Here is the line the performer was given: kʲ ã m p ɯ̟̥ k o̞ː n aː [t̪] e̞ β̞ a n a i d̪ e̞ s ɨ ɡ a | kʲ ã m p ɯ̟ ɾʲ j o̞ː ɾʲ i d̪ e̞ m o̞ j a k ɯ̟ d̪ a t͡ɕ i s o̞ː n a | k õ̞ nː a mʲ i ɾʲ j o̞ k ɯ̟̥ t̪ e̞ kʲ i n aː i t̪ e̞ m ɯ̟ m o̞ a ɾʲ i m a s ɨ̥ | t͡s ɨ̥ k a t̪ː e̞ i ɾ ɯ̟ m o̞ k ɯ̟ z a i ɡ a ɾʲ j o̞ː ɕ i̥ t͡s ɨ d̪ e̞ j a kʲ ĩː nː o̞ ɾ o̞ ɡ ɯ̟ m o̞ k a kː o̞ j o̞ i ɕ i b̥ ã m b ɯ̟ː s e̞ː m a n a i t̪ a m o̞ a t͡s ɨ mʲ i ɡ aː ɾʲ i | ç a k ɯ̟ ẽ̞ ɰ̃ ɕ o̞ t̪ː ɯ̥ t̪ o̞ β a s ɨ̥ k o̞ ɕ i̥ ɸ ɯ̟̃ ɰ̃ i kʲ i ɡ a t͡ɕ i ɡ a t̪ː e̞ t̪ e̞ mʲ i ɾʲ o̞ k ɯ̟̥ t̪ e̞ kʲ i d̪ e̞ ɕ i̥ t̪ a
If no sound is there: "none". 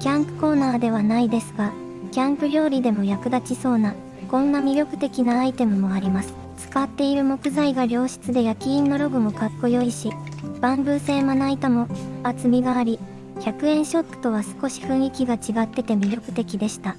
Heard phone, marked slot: d̪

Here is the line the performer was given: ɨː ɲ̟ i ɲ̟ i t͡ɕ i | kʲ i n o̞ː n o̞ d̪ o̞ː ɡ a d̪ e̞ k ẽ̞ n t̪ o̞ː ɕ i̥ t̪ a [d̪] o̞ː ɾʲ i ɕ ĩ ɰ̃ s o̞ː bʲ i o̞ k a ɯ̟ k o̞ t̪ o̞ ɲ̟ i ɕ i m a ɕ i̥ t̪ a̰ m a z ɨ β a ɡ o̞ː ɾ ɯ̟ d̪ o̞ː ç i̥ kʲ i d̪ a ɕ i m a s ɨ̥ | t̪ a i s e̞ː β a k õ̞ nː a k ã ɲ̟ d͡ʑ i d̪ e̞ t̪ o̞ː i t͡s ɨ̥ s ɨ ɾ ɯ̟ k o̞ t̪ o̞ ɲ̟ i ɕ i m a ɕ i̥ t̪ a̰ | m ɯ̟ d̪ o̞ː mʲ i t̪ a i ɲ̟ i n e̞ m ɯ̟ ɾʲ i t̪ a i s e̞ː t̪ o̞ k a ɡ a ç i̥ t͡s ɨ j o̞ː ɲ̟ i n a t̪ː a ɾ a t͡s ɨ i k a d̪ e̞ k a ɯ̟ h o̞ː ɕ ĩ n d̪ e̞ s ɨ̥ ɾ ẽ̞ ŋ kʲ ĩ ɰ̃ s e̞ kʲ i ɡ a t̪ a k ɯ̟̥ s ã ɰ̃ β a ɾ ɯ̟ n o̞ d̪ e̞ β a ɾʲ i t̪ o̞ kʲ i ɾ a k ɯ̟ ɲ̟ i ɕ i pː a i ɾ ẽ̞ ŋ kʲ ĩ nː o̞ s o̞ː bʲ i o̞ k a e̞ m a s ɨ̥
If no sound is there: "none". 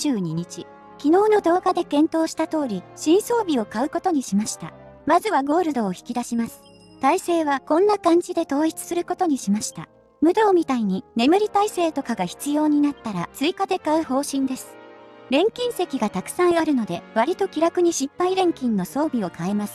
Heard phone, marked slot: t̪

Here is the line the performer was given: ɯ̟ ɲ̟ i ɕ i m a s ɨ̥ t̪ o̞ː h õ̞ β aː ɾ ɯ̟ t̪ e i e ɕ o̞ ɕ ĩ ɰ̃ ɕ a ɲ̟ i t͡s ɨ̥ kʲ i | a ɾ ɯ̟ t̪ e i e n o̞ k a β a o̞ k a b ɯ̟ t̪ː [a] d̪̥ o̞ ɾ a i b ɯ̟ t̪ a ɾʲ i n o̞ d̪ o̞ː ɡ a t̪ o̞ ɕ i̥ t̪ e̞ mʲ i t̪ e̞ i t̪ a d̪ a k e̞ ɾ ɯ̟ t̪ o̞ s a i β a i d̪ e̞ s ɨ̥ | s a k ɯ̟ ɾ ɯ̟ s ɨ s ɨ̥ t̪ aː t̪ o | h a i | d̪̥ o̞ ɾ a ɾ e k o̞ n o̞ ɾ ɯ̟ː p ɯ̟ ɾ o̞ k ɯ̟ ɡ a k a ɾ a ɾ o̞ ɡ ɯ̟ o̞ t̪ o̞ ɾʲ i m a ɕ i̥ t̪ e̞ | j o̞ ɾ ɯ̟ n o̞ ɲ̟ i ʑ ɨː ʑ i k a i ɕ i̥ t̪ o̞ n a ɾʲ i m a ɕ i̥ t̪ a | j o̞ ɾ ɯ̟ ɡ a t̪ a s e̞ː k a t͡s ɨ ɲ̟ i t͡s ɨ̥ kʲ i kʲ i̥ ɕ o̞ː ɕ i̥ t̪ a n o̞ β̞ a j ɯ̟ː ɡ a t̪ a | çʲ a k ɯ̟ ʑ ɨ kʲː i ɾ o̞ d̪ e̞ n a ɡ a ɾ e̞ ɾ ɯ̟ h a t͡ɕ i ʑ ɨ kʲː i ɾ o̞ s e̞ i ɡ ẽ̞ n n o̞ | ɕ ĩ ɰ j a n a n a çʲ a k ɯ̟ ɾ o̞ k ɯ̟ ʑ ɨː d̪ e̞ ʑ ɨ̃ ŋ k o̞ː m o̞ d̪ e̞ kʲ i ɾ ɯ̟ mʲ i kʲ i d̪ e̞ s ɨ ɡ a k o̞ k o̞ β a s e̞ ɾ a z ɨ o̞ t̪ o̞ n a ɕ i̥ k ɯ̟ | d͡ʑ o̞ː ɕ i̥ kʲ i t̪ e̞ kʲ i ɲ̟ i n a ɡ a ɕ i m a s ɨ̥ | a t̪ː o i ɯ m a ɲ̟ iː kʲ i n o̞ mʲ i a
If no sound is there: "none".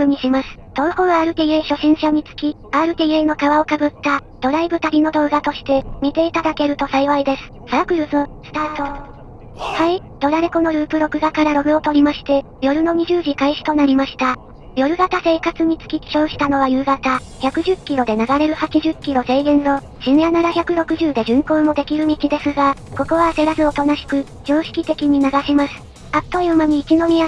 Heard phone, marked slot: a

